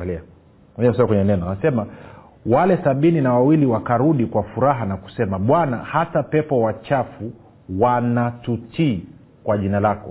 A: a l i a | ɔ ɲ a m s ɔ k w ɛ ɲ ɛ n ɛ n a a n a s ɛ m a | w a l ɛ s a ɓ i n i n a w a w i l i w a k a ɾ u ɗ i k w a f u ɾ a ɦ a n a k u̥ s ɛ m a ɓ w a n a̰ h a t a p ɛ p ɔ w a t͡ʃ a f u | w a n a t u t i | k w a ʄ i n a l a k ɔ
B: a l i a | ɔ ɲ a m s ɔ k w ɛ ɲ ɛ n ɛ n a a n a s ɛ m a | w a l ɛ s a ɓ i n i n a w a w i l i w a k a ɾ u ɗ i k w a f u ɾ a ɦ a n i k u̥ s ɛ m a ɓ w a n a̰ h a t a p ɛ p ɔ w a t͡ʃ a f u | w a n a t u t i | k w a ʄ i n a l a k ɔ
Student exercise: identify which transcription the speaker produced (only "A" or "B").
A